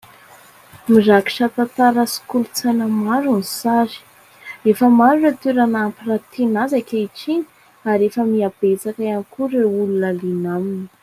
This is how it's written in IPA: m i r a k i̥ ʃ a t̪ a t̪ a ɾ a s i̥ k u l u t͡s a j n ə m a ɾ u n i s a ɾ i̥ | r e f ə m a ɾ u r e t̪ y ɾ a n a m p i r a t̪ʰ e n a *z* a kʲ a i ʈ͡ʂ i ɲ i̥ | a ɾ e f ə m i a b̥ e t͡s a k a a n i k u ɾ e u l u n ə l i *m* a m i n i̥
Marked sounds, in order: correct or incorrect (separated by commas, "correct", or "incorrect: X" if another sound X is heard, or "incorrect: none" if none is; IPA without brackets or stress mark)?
correct, incorrect: n